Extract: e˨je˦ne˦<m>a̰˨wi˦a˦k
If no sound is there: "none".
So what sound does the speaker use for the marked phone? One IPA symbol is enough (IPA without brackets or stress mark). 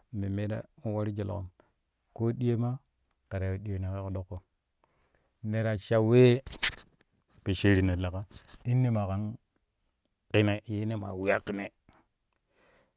m